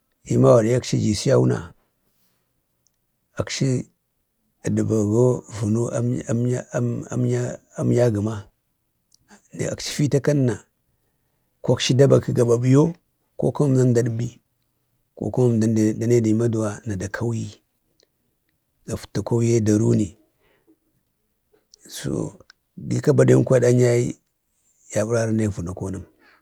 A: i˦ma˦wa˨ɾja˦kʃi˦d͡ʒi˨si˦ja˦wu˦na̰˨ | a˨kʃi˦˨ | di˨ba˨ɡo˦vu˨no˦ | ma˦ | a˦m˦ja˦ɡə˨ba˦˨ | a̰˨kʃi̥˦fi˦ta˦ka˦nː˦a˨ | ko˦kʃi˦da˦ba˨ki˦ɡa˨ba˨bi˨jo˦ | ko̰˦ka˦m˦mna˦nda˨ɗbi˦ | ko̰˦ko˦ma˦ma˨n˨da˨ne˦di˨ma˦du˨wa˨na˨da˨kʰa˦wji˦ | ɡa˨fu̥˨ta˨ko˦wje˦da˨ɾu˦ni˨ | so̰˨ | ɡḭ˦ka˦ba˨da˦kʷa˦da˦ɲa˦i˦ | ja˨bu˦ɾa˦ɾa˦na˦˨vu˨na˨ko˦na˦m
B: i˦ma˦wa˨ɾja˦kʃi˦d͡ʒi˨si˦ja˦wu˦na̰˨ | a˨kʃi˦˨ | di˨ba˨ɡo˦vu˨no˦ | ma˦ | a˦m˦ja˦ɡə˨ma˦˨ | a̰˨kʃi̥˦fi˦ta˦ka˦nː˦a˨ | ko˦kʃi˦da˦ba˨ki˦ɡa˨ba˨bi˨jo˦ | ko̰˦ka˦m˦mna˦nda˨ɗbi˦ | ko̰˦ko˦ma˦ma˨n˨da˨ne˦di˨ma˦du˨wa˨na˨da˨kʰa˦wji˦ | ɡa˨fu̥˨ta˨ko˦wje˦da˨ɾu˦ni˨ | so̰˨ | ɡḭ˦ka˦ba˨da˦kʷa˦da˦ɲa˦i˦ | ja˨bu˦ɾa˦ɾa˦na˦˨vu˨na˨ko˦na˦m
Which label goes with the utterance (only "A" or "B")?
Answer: B